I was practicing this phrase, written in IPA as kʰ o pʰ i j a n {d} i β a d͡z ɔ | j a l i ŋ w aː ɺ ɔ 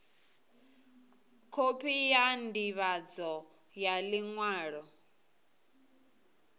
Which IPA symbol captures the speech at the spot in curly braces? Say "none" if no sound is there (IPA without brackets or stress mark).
d